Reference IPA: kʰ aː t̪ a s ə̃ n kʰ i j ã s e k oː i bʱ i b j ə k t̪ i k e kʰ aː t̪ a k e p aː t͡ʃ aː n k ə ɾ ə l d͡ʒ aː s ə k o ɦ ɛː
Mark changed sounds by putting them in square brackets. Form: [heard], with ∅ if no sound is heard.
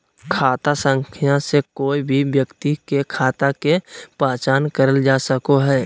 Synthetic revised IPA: kʰ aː t̪ a s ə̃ [ŋ] kʰ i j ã s e k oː i bʱ i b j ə k t̪ i k e kʰ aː t̪ a k e p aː t͡ʃ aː n k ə ɾ ə l d͡ʒ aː s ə k o ɦ ɛː